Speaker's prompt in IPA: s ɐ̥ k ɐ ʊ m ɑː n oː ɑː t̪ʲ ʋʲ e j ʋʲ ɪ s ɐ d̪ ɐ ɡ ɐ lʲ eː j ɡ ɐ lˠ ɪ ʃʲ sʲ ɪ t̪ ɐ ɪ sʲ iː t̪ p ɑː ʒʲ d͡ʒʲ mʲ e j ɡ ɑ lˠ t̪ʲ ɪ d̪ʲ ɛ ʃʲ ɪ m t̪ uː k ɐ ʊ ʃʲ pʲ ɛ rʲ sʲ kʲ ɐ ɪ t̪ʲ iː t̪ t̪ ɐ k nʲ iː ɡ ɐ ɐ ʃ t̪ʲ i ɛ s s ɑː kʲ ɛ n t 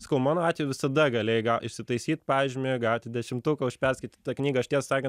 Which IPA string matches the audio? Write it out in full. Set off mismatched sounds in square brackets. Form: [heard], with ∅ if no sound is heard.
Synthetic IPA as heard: s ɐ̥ k ɐ ʊ m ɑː n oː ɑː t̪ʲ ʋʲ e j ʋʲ ɪ s ɐ d̪ ɐ ɡ ɐ lʲ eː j ɡ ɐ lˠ ɪ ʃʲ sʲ ɪ t̪ ɐ ɪ sʲ iː t̪ p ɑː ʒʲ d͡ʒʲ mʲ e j ɡ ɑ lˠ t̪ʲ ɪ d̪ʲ ɛ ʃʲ ɪ m t̪ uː k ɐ ʊ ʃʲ pʲ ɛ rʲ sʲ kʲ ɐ ɪ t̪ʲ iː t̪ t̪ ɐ k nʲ iː ɡ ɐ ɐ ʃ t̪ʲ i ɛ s s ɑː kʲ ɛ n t